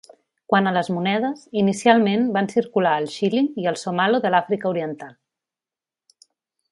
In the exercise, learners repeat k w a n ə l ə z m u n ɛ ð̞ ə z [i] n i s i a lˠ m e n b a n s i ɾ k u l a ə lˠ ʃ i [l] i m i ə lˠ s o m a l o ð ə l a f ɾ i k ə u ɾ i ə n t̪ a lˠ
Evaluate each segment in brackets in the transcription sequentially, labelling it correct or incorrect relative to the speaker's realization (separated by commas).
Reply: correct, correct